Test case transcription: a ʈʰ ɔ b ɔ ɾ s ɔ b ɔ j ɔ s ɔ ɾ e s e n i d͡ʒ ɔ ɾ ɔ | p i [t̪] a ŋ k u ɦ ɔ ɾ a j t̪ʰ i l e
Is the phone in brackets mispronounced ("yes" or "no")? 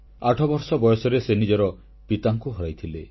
no